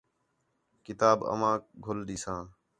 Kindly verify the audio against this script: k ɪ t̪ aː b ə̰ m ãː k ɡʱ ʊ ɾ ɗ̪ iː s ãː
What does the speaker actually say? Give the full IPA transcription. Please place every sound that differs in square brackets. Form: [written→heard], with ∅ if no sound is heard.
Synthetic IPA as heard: k ɪ t̪ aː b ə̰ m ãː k ɡʱ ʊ [ɾ→l] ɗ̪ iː s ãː